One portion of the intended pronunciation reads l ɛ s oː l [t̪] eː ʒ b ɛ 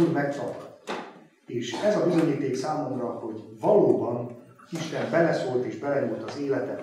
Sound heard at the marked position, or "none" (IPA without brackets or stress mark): t̪